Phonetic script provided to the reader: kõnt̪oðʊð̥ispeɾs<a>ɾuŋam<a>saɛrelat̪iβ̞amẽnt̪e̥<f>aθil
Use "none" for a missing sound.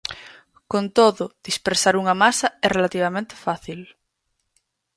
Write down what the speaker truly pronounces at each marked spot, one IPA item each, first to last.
a, a, f

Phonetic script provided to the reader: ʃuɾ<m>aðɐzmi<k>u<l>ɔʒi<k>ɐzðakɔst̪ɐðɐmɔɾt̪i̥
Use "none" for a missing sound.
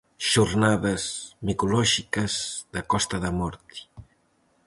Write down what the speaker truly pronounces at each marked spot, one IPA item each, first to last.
n, k, l, k

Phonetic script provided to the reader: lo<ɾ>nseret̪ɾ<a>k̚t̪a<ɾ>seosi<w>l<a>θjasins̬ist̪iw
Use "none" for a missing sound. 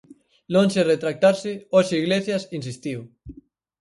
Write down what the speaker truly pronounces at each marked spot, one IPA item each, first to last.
none, a, ɾ, ɣ, e

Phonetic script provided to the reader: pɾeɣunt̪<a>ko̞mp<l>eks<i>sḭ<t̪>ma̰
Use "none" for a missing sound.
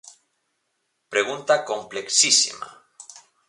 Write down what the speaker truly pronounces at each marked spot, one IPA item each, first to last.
a, l, i, none

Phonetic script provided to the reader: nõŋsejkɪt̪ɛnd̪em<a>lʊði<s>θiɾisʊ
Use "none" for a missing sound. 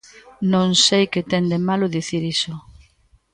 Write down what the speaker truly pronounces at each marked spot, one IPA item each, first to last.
a, none

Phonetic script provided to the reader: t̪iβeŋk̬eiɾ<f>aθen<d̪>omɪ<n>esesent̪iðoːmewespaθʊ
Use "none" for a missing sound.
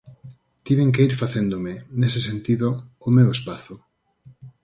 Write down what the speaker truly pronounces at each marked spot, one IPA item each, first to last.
f, d̪, n

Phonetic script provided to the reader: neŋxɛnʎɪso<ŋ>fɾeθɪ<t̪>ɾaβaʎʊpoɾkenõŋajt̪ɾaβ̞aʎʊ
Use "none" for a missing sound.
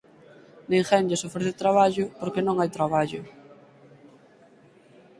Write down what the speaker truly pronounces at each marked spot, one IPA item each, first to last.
none, t̪

